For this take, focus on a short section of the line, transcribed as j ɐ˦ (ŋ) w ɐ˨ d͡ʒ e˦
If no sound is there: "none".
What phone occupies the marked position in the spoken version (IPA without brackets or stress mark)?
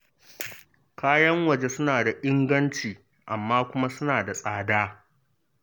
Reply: ŋ